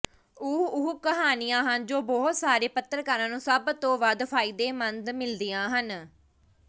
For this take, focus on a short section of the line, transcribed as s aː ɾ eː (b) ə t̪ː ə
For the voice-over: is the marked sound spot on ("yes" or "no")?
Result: no